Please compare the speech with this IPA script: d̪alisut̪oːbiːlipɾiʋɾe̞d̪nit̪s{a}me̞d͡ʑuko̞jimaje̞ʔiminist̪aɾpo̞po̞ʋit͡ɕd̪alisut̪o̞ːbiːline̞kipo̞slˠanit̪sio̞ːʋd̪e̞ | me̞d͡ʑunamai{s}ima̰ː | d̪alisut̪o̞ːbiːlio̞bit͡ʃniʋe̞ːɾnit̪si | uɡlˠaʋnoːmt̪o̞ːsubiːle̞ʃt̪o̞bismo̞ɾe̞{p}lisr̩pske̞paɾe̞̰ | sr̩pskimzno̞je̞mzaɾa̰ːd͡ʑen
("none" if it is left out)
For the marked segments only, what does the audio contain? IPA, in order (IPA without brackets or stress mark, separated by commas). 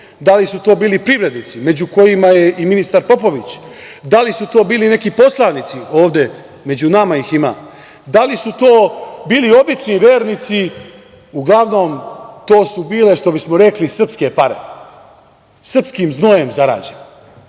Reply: i, x, k